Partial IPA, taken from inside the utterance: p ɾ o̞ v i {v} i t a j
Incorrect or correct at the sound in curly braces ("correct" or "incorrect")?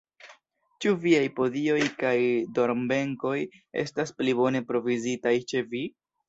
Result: incorrect